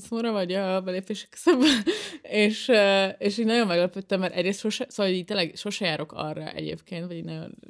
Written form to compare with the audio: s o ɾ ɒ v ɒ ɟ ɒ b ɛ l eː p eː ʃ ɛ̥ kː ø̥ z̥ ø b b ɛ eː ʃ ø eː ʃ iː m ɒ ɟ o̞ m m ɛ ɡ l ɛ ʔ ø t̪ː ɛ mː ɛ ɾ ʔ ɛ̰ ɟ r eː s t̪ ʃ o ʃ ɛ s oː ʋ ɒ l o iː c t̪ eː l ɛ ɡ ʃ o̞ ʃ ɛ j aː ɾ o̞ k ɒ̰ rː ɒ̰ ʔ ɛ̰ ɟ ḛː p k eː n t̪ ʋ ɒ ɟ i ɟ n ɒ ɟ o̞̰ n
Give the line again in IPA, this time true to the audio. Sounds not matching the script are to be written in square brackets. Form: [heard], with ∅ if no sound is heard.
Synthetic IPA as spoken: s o ɾ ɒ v ɒ ɟ ɒ b ɛ l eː p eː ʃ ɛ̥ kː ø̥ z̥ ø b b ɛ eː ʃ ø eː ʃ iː [n] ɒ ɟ o̞ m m ɛ ɡ l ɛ [p] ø t̪ː ɛ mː ɛ ɾ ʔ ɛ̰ ɟ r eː s t̪ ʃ o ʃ ɛ s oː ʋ ɒ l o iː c t̪ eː l ɛ ɡ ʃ o̞ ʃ ɛ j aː ɾ o̞ k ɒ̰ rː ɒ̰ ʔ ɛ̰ ɟ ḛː p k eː n t̪ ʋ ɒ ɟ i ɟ n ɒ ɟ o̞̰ n